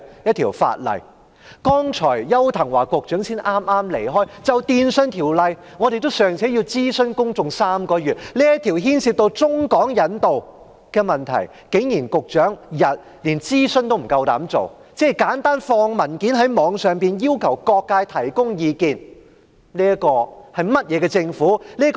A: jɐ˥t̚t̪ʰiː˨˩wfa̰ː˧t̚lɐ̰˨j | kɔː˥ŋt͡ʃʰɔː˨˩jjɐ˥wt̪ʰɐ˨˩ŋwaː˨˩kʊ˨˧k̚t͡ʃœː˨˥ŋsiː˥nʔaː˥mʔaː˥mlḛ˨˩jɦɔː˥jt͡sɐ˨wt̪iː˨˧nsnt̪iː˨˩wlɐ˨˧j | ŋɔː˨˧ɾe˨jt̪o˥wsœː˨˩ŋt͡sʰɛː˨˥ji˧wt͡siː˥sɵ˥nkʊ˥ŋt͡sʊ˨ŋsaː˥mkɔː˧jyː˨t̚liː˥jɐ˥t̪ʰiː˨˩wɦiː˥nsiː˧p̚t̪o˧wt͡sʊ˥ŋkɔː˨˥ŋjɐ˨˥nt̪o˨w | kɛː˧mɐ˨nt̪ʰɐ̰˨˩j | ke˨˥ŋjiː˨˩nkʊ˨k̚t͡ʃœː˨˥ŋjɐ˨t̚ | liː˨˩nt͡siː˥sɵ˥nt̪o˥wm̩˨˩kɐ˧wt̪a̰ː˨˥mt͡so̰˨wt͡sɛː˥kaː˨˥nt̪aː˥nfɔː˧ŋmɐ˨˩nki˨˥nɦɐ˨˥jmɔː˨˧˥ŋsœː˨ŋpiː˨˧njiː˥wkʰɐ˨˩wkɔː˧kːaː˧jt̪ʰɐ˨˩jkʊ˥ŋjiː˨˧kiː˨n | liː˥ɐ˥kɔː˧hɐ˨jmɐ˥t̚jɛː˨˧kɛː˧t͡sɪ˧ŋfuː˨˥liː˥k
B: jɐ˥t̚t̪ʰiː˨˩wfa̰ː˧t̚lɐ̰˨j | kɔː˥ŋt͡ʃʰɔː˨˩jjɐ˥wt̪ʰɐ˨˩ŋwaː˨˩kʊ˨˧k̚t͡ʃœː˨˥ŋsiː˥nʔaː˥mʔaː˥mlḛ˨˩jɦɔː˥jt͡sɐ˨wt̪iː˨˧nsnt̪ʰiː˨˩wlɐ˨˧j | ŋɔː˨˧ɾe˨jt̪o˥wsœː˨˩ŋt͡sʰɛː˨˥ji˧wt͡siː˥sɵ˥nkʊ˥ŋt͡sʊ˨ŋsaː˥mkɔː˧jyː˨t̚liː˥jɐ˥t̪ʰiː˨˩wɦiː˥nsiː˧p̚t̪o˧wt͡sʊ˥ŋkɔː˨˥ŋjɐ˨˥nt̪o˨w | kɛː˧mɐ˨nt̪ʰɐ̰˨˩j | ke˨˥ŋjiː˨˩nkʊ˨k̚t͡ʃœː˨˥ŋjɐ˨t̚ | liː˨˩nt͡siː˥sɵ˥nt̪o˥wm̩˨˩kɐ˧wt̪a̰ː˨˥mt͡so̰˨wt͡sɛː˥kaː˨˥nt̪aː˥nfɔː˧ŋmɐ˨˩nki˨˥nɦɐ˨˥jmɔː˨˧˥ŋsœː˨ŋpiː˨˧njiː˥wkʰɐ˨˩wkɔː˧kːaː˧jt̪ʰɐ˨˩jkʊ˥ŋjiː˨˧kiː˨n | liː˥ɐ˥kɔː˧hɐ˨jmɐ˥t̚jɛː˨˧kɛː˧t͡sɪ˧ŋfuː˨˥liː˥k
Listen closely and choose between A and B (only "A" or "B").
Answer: B